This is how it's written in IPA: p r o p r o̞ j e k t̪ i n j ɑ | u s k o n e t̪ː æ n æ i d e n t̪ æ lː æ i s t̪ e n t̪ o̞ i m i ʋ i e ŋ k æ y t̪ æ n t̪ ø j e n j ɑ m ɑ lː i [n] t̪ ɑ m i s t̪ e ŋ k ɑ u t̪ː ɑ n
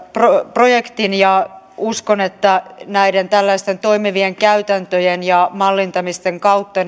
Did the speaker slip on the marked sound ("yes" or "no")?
no